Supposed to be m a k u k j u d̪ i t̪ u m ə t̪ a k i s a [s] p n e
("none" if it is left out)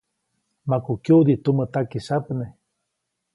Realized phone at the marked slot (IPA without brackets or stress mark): none